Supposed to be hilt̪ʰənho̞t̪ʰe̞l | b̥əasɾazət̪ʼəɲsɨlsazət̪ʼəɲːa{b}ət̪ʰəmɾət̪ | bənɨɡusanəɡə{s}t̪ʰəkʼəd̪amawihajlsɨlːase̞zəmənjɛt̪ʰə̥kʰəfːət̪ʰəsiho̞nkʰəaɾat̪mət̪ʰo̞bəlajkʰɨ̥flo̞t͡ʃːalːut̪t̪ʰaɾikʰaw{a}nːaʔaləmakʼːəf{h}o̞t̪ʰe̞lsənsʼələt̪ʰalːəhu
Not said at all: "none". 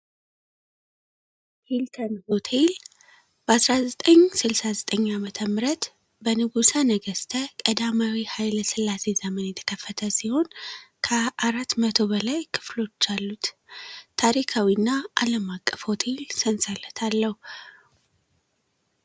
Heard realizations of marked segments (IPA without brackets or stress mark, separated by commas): m, s, i, h